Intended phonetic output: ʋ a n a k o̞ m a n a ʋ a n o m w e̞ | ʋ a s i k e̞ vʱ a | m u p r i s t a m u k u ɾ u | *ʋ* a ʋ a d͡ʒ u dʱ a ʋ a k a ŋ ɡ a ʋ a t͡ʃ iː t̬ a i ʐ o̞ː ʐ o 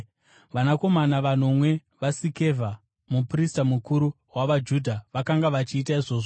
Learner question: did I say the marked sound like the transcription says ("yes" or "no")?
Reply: no